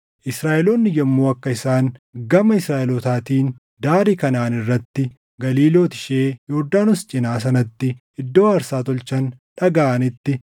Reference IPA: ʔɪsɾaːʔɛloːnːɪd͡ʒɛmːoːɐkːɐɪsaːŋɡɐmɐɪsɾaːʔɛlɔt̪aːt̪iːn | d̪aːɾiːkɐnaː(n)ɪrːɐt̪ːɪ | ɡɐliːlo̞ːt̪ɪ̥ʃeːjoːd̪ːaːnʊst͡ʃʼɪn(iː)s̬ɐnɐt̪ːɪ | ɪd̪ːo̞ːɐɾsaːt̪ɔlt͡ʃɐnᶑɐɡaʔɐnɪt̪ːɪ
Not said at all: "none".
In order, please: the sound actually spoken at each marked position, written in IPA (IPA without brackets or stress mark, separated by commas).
n, aː